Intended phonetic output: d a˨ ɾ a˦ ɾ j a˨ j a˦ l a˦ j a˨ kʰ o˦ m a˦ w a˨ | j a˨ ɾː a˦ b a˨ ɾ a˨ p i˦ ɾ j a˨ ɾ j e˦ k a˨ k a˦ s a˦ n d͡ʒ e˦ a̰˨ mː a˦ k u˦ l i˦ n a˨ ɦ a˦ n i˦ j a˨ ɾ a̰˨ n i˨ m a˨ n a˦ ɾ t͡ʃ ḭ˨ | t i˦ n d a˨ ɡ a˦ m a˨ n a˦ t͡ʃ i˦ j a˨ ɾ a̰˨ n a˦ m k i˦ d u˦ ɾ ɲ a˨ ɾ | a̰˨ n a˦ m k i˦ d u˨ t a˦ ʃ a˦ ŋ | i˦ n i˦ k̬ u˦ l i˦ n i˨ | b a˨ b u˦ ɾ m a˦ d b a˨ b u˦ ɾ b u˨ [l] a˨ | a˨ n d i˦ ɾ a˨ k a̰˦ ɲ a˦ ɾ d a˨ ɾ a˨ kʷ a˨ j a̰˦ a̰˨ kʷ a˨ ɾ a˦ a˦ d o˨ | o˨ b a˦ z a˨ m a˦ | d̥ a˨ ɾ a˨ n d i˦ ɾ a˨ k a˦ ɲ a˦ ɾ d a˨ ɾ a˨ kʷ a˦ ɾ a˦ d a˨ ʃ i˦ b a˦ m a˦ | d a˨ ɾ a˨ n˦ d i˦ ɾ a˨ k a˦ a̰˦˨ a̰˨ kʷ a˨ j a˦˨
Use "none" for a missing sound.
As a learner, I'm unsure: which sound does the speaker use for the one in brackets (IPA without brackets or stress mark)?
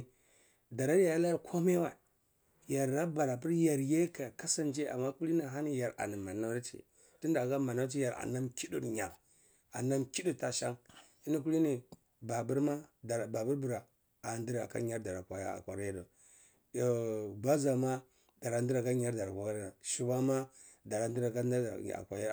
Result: ɾ